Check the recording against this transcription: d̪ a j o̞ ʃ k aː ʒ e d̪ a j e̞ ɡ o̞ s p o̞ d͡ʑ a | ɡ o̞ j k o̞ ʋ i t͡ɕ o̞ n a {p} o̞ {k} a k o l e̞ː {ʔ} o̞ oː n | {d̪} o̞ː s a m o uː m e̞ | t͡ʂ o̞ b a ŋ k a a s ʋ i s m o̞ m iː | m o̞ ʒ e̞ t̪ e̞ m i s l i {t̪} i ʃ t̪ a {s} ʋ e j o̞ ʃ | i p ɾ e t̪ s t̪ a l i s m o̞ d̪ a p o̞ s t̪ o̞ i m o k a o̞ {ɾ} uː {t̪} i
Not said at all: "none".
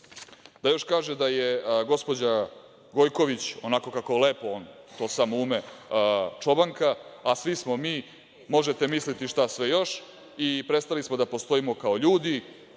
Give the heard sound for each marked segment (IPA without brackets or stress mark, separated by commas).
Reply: k, k, p, t̪, t̪, s, ʎ, d̪